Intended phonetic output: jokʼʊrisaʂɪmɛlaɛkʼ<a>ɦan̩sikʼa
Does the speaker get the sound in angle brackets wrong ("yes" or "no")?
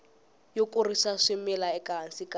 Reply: no